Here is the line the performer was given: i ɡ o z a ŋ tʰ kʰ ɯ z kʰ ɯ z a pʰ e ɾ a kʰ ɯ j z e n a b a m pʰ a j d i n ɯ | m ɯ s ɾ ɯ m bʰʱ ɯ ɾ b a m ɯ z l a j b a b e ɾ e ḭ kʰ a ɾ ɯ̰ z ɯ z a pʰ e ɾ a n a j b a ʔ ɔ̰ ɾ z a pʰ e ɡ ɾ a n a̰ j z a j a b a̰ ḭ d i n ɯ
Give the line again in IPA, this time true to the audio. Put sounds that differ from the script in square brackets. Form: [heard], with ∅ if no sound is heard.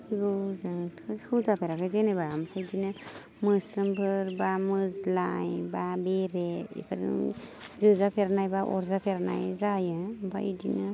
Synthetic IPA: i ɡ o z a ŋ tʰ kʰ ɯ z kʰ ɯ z a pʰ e ɾ a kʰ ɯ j z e n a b a m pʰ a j d i n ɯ | m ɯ s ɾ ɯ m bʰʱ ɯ ɾ b a m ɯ z l a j b a b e ɾ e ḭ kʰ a ɾ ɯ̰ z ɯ z a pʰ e ɾ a n a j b a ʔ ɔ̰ ɾ z a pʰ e [∅] ɾ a n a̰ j z a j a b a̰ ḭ d i n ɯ